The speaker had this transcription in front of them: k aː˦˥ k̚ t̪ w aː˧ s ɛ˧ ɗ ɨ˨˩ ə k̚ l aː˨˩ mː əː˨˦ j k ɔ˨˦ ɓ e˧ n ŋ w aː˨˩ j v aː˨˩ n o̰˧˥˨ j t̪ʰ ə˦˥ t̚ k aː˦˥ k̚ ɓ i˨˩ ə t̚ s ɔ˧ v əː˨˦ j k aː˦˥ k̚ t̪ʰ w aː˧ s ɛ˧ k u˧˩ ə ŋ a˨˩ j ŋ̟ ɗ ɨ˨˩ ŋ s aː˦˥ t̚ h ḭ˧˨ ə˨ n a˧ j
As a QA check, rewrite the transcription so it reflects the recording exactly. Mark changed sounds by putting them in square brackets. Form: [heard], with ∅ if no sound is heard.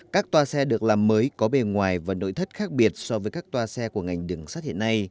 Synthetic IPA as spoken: k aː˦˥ k̚ t̪ w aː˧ s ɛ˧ ɗ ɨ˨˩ ə k̚ l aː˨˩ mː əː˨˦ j k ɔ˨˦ ɓ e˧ n ŋ w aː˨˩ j v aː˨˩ n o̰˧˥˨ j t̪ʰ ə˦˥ t̚ [x] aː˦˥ k̚ ɓ i˨˩ ə t̚ s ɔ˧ v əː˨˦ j k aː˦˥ k̚ [t̪] w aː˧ s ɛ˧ k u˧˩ ə ŋ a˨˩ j ŋ̟ ɗ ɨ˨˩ ŋ s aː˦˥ t̚ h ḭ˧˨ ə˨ n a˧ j

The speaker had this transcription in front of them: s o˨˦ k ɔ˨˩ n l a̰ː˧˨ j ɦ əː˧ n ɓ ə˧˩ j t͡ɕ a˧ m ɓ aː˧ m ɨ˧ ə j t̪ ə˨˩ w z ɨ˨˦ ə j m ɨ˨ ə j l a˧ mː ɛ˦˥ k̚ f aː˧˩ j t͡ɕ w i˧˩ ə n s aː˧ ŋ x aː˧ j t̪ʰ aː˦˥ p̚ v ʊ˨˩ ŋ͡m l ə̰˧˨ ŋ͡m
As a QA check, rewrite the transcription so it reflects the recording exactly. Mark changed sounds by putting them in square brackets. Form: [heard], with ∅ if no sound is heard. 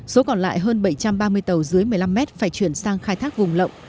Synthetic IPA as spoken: s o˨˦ k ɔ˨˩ n l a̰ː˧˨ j ɦ əː˧ n ɓ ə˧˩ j t͡ɕ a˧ m ɓ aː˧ m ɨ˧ ə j t̪ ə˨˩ w z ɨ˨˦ ə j m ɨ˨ ə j l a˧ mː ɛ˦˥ [t̚] f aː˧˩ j t͡ɕ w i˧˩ ə n s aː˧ ŋ x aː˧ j t̪ʰ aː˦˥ [k̚] v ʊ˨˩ ŋ͡m l ə̰˧˨ ŋ͡m

